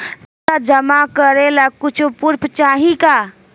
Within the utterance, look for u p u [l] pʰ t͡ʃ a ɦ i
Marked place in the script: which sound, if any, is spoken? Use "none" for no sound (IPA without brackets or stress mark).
ɾ